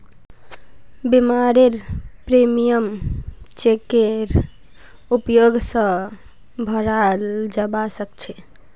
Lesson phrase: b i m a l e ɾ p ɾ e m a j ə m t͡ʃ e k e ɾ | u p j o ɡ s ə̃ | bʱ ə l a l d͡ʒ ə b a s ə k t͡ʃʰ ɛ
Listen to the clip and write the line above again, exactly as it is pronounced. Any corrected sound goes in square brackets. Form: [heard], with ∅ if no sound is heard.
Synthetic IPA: b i m a [ɾ] e ɾ p ɾ e m [i] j ə m t͡ʃ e k e ɾ | u p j o ɡ s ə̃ | bʱ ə [ɾ] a l d͡ʒ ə b a s ə k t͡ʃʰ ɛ